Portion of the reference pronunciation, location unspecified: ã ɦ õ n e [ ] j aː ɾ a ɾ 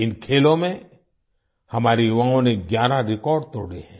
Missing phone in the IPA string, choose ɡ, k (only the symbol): ɡ